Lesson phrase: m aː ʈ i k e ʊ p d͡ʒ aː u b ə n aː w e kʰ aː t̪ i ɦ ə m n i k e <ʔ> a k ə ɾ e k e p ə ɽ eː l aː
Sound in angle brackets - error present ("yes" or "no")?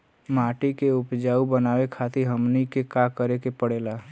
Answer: yes